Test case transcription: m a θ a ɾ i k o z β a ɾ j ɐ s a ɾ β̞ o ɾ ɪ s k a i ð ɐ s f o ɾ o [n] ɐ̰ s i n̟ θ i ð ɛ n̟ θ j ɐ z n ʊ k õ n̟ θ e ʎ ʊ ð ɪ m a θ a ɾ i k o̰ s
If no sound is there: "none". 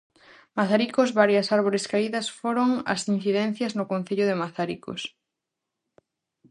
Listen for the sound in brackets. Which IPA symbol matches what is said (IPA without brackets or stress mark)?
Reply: ŋ